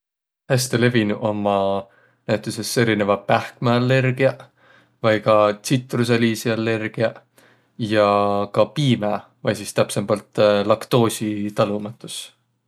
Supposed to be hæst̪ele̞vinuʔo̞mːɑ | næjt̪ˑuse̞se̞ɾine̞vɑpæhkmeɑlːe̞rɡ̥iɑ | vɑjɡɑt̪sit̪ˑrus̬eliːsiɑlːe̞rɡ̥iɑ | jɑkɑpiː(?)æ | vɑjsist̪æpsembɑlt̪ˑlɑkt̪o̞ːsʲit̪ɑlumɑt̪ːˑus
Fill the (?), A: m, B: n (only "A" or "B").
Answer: A